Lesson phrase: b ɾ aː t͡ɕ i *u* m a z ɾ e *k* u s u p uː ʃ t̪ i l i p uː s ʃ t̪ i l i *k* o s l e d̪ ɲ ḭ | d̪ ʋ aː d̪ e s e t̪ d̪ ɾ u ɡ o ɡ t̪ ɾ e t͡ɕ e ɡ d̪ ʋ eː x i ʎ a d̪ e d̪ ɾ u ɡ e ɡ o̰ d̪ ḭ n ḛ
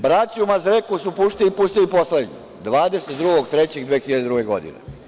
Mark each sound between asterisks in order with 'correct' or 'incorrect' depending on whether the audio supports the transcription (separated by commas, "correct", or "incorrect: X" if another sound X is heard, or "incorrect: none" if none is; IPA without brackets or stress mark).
correct, correct, incorrect: p